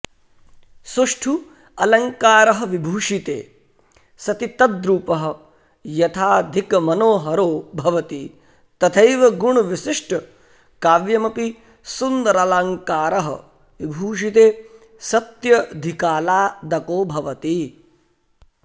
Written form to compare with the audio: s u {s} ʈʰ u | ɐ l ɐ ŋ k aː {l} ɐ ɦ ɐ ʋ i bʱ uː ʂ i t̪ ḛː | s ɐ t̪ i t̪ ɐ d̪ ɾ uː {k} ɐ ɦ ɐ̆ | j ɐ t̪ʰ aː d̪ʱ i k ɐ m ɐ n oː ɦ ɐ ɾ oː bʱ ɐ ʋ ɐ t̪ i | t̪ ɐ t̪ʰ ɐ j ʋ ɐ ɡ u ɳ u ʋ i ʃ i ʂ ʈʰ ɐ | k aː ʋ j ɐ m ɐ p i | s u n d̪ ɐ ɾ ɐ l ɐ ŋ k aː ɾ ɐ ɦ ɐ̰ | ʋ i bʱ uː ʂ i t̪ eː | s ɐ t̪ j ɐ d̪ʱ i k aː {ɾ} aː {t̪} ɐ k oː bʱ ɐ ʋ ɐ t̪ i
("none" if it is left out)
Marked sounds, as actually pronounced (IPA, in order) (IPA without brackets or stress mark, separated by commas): ʂ, ɾ, p, l, d̪